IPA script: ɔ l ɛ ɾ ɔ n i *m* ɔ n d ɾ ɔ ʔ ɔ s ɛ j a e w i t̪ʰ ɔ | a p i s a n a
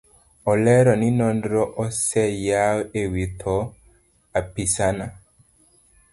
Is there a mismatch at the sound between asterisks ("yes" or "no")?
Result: yes